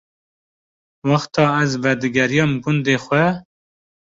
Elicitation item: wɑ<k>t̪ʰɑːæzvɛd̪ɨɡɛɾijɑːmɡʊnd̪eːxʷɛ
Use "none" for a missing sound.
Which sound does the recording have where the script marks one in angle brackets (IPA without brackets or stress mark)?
x